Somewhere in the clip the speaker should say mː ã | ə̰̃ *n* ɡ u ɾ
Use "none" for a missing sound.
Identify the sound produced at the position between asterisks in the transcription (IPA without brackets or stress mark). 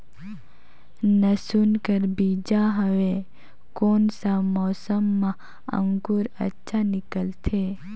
ŋ